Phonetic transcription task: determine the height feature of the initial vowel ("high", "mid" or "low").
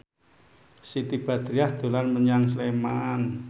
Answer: high